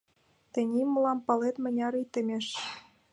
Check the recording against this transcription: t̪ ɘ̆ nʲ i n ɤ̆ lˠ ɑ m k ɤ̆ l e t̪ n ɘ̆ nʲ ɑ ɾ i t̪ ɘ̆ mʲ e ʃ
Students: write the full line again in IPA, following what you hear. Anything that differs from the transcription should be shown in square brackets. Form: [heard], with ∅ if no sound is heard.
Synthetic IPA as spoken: t̪ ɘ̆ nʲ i [m] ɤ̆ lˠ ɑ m [p] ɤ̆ l e t̪ [m] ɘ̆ nʲ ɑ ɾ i t̪ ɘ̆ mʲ e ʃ